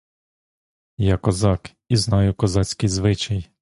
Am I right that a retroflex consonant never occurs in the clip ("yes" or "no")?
yes